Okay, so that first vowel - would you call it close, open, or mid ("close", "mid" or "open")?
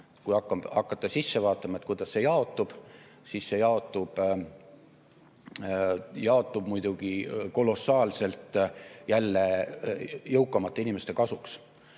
close